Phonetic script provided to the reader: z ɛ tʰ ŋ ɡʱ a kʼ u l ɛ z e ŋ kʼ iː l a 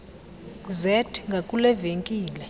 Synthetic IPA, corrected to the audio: z ɛ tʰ ŋ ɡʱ a kʼ u l ɛ v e ŋ kʼ iː l ɛ